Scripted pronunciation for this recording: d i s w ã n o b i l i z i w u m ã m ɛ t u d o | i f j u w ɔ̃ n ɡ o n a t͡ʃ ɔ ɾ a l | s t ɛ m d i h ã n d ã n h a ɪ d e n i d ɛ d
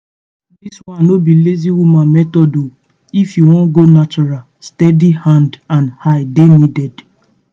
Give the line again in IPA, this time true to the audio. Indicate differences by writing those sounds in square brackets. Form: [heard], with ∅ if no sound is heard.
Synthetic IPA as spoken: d i s w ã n o b i l [e] z i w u m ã m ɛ t [ɔ] d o | i f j u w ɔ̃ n ɡ o n a t͡ʃ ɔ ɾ a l | s t ɛ [∅] d i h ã n d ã n h a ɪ d e n i d ɛ d